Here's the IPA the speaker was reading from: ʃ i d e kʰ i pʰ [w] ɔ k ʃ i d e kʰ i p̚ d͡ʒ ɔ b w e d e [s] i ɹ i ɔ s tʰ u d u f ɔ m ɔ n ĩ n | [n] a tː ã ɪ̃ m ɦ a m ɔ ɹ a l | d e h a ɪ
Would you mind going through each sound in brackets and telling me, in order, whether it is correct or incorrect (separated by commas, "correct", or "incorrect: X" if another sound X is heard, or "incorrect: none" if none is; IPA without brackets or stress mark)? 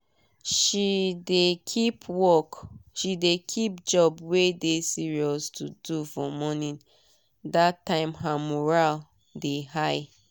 correct, correct, incorrect: d